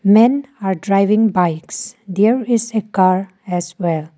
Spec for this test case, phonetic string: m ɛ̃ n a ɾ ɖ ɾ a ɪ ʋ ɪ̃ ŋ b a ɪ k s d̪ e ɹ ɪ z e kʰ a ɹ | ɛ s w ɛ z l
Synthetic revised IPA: m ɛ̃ n a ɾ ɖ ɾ a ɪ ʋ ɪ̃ ŋ b a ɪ k s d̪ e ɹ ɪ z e k a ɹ | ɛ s w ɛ l